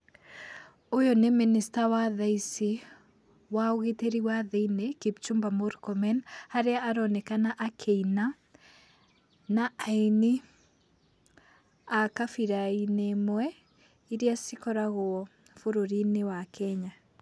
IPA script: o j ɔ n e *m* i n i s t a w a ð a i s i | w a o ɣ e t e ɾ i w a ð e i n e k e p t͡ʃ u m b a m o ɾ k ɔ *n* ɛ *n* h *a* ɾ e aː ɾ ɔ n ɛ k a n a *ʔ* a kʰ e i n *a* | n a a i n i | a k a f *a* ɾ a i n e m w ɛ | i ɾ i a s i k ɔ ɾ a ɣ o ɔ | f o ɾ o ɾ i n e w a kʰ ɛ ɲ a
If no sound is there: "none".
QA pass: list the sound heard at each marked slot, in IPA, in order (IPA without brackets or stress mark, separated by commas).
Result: m, m, n, a, ʔ, a, i